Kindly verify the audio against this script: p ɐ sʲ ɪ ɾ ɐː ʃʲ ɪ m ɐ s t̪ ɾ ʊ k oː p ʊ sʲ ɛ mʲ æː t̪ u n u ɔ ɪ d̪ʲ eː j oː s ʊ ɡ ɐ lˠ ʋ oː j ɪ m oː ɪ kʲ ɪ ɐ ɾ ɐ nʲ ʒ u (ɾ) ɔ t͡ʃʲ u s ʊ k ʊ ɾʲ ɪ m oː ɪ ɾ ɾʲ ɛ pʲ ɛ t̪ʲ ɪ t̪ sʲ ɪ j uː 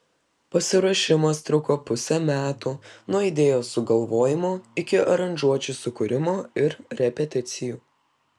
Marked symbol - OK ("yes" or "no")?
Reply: no